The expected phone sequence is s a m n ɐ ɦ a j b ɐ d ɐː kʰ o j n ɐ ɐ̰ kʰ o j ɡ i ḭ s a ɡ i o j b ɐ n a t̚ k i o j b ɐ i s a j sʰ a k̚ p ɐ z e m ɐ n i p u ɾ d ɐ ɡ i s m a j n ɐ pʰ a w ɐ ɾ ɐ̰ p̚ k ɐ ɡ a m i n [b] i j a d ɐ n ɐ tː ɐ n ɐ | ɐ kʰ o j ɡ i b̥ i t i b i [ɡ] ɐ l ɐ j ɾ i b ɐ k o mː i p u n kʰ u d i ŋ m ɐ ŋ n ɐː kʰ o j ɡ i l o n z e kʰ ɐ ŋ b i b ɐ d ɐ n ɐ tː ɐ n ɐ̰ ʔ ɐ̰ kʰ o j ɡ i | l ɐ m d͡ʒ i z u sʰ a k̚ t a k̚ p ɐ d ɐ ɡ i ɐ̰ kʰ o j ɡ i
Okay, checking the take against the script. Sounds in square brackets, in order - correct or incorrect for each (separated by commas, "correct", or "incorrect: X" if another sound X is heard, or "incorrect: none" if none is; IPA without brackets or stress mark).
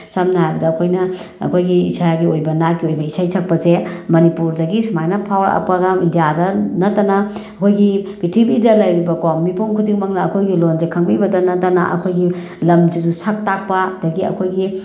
incorrect: d, incorrect: d